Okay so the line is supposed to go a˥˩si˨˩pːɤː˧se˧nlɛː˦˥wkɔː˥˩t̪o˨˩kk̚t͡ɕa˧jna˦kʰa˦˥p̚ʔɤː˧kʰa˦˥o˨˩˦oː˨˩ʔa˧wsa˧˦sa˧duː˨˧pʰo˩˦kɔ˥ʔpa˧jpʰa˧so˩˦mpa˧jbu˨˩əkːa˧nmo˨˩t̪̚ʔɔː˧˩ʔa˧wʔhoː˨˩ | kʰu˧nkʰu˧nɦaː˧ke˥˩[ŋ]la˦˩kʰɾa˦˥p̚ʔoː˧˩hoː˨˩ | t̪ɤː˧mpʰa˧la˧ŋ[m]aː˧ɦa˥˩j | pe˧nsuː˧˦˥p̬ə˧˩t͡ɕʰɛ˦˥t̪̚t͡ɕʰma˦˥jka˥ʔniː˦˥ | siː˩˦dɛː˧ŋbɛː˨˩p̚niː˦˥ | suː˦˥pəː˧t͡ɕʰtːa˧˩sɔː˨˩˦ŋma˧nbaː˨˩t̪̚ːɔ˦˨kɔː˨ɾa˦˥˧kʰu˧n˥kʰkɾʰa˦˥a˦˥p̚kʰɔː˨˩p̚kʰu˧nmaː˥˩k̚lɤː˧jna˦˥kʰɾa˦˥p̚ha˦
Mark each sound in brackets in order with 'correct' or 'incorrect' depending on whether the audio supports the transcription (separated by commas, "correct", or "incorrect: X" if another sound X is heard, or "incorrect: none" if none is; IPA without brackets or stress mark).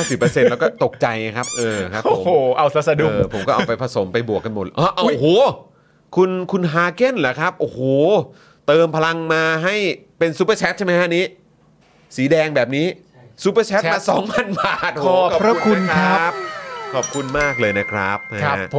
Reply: incorrect: n, correct